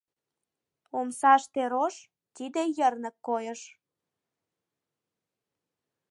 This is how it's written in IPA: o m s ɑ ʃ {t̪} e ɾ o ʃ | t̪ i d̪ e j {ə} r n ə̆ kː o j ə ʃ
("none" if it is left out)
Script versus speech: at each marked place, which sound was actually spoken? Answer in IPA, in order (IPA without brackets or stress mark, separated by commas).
t̪, ə